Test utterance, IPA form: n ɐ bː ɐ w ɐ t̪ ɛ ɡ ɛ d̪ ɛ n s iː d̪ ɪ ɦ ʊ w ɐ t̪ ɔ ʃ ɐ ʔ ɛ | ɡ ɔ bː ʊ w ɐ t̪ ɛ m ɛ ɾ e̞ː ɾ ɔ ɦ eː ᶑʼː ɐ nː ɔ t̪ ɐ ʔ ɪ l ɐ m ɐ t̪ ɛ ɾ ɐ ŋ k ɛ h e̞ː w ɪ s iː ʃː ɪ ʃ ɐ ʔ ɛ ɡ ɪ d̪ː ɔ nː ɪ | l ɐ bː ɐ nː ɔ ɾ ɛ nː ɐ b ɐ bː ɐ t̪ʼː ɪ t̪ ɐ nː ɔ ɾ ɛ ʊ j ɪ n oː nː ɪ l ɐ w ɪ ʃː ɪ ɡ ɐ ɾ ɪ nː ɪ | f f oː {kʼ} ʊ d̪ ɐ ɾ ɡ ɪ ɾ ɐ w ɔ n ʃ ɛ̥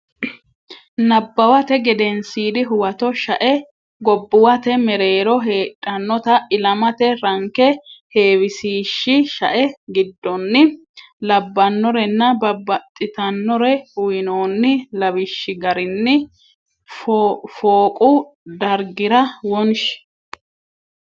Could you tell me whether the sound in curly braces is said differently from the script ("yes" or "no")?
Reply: no